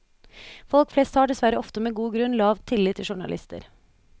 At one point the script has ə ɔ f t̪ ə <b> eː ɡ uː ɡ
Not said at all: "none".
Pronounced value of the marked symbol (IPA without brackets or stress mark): m